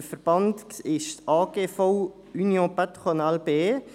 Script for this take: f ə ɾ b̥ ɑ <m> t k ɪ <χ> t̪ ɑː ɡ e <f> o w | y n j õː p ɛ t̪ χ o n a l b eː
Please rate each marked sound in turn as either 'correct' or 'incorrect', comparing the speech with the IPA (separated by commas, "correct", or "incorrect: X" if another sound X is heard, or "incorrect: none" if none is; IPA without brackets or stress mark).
incorrect: n, incorrect: ʃ, correct